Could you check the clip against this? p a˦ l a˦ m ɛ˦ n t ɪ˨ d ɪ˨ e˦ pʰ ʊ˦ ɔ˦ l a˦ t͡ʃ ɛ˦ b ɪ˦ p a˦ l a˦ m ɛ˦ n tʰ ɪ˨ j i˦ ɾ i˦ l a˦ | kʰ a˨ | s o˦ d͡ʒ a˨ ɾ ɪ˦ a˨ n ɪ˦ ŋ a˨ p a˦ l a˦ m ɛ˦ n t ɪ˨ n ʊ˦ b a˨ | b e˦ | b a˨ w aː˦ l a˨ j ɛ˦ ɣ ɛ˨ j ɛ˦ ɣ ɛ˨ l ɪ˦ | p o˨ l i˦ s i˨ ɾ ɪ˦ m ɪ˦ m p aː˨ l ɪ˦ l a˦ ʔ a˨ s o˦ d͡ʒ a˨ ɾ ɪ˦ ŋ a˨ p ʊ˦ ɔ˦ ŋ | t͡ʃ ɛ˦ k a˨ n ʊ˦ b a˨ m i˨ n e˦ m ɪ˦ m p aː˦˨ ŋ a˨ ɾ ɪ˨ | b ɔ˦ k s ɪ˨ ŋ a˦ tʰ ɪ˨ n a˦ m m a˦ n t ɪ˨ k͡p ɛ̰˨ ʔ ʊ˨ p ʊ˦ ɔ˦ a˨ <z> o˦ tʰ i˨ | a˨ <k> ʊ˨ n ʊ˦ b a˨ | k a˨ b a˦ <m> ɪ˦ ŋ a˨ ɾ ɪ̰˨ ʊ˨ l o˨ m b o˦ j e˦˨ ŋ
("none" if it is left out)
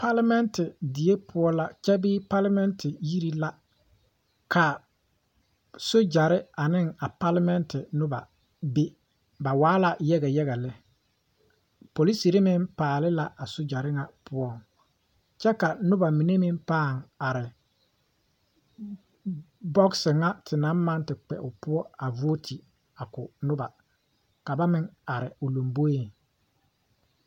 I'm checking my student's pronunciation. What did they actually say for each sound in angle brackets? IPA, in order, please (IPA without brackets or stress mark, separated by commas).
v, k, m